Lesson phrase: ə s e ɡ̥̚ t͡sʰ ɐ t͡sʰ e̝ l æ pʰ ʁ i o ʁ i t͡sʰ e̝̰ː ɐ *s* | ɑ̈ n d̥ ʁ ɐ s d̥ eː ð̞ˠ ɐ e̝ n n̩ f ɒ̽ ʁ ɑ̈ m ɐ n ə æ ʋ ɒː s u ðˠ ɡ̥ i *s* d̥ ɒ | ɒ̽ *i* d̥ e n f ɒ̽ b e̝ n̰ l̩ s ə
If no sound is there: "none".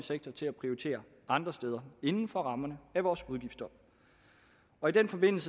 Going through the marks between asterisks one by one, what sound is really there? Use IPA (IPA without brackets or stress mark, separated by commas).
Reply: none, f, i